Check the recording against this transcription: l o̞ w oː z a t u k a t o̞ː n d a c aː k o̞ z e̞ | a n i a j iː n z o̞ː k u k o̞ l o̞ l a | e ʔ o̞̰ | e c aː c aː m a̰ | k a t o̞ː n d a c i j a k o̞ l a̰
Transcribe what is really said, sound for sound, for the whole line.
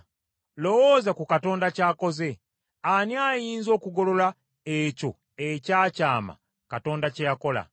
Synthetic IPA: l o̞ w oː z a k u k a t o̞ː n d a c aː k o̞ z e̞ | a n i a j iː n z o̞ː k u ɡ o̞ l o̞ l a | e c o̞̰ | e c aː c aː m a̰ | k a t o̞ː n d a c e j a k o̞ l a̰